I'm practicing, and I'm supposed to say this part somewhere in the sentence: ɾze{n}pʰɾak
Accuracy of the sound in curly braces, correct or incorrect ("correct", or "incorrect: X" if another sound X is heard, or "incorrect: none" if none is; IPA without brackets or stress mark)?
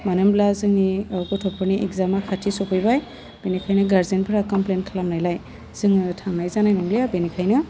correct